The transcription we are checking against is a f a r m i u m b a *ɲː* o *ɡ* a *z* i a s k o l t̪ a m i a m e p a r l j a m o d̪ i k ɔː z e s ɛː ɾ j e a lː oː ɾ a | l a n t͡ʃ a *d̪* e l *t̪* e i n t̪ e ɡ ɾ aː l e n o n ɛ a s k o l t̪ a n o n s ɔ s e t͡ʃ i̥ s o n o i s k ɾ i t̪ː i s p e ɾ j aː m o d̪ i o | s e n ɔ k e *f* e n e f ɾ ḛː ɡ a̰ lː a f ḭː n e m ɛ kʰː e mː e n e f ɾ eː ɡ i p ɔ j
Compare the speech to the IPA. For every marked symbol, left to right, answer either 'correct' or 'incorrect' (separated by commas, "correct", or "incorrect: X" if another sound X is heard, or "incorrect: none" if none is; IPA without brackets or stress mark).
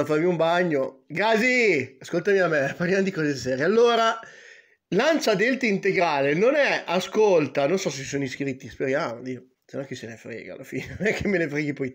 correct, correct, correct, correct, correct, incorrect: s